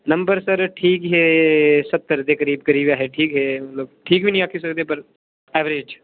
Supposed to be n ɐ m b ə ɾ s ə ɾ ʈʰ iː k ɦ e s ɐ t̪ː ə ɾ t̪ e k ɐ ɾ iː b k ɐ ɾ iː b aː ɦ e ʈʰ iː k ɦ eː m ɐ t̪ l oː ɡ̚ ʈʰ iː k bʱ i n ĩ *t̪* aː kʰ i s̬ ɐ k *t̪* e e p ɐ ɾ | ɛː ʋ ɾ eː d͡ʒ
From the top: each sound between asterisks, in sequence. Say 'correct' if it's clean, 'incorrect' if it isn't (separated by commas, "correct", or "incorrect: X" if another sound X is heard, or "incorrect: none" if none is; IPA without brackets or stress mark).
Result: incorrect: none, correct